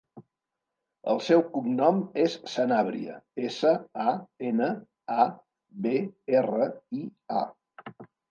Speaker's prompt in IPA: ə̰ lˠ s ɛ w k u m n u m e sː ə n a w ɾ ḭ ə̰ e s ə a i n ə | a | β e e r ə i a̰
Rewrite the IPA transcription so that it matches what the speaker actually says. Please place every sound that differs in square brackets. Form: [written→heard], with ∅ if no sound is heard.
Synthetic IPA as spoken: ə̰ lˠ s ɛ w k u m n [u→ɔ] m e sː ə n a [w→β] ɾ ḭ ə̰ e s ə a [i→e] n ə | a | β e e r ə i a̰